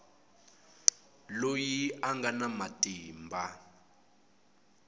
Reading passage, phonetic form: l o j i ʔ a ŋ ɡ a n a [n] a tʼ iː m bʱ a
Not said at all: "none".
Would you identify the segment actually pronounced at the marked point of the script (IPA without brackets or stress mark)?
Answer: m